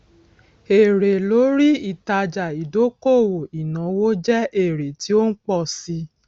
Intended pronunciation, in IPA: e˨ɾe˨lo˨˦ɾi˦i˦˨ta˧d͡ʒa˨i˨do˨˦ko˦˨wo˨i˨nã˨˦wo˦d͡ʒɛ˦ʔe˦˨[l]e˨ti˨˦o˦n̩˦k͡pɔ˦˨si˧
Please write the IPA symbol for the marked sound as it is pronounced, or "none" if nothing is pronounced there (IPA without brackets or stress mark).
ɾ